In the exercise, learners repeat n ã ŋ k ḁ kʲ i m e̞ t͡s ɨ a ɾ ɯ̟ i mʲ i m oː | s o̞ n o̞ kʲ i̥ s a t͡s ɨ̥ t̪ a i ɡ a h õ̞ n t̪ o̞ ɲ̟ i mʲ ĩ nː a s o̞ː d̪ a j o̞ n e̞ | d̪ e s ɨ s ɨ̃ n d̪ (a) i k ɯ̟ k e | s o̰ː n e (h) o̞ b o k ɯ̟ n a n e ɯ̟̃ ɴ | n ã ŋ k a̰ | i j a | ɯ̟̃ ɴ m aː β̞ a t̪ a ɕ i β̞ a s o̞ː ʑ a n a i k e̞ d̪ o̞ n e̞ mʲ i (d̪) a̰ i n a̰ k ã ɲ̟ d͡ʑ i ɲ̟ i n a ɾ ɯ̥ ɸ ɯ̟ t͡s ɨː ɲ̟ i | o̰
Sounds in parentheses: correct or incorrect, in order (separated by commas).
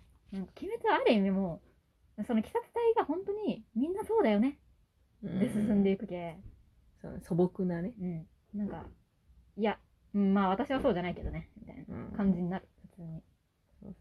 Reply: incorrect, incorrect, incorrect